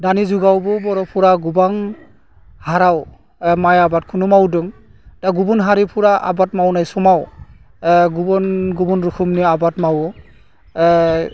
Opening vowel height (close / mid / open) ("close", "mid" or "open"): open